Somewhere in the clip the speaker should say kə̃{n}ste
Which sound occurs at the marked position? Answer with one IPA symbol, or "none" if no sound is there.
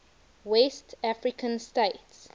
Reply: n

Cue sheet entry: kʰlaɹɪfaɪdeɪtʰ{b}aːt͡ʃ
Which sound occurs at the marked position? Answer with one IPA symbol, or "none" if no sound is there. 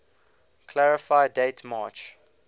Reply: m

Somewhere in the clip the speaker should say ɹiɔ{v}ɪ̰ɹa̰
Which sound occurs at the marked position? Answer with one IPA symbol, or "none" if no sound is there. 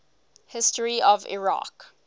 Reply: v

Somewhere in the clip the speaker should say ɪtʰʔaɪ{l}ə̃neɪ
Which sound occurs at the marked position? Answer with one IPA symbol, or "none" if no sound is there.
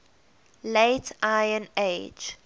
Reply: none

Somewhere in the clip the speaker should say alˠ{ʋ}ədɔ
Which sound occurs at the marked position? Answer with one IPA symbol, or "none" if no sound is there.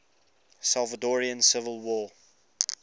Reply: v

